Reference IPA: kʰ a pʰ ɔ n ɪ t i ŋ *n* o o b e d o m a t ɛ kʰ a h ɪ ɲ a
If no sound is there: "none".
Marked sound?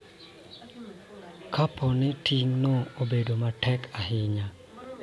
n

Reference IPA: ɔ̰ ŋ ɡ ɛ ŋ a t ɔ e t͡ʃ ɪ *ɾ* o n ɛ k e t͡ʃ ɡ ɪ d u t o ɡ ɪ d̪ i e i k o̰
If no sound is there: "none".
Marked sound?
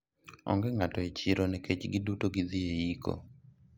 ɾ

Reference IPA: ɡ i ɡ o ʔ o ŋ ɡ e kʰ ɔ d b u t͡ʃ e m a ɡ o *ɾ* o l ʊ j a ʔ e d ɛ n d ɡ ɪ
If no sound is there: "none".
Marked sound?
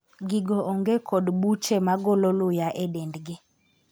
l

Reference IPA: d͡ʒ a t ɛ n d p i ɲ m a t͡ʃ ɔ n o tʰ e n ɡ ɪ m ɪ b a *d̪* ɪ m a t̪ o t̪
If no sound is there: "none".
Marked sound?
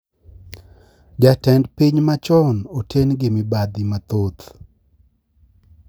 d̪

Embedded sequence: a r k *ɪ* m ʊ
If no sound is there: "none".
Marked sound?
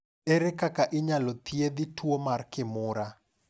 ɪ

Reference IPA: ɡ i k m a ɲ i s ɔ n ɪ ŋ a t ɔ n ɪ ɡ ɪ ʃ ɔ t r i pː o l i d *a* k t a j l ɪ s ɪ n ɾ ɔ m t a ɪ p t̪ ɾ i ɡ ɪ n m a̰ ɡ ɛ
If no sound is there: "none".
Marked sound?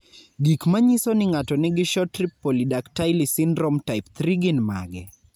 a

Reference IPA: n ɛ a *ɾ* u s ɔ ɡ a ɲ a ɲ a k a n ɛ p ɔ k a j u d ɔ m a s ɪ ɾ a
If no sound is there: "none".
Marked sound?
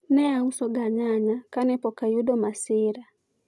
none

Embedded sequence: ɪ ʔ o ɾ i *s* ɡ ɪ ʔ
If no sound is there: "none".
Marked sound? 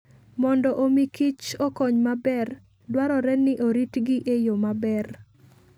t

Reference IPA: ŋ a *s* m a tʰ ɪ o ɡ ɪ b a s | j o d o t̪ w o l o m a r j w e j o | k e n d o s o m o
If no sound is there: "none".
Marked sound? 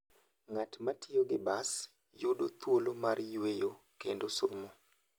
t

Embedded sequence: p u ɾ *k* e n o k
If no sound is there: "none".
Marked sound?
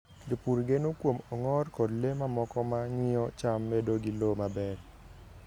ɡ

